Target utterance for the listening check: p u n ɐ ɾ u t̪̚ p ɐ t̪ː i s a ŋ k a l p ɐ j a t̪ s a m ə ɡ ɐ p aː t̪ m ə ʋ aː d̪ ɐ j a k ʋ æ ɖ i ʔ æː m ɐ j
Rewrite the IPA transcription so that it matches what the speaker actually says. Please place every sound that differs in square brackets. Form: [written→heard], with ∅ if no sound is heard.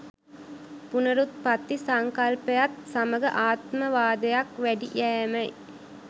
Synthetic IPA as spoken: p u n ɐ ɾ u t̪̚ p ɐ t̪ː i s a ŋ k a l p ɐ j a t̪ s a m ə ɡ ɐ [p→ʔ] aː t̪ m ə ʋ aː d̪ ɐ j a k ʋ æ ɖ i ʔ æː m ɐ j